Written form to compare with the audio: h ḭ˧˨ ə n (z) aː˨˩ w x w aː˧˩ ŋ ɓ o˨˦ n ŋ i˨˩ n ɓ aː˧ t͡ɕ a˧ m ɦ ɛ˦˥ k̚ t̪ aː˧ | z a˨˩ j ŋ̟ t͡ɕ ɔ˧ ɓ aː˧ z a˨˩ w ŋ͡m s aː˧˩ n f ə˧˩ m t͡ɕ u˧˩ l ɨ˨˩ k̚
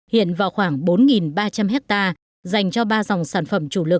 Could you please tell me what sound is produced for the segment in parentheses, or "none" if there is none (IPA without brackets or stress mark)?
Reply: v